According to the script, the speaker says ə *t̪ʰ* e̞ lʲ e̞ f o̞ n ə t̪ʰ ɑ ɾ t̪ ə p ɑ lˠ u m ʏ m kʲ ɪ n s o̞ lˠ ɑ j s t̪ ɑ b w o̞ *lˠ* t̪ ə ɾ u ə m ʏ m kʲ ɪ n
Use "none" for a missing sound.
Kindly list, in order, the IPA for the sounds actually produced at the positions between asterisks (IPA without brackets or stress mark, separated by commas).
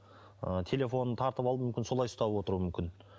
t̪ʰ, none